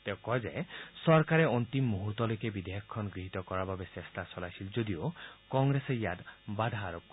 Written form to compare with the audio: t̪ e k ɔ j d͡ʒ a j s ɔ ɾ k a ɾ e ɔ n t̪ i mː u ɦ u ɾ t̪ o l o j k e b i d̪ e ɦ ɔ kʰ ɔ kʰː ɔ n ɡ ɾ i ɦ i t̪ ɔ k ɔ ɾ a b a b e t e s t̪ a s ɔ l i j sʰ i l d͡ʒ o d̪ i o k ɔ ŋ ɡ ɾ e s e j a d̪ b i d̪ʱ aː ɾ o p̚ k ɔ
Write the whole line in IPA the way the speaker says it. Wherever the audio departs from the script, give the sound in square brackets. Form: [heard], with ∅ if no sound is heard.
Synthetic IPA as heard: t̪ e k ɔ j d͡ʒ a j s ɔ ɾ k a ɾ e ɔ n t̪ i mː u ɦ u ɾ t̪ [ɔ] l o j k e b i d̪ e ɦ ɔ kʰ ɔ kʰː ɔ n ɡ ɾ i ɦ i t̪ ɔ k ɔ ɾ a b a b e [s] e s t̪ a s ɔ l [a] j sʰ i l d͡ʒ o d̪ i o k ɔ ŋ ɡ ɾ e s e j a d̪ b [a] d̪ʱ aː ɾ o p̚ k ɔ